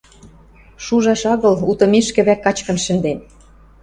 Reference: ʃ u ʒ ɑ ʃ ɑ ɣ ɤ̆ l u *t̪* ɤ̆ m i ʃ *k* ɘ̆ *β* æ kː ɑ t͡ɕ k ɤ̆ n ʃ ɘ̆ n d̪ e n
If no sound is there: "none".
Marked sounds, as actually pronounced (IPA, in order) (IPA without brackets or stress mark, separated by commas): t̪, k, β